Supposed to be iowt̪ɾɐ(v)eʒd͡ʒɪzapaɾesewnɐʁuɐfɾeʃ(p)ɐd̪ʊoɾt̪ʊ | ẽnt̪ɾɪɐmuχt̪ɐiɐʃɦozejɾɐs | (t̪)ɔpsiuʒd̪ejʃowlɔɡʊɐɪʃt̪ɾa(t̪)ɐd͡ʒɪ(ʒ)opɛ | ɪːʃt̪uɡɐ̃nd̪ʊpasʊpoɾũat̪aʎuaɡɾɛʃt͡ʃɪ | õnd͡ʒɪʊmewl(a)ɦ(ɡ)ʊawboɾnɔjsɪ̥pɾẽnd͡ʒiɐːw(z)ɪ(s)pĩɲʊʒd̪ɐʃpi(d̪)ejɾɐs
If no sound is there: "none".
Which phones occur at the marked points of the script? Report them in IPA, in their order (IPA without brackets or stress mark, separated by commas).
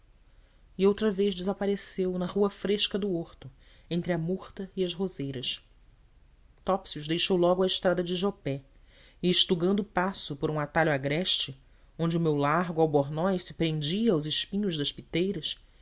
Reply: v, k, t̪, d̪, ʒ, a, ɡ, z, ʃ, t̪